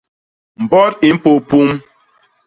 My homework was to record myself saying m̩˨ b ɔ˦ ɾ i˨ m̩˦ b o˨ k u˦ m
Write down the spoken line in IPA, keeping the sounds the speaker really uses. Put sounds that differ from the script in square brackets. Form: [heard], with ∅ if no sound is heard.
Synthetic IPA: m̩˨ b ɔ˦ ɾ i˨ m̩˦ [p] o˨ [p] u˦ m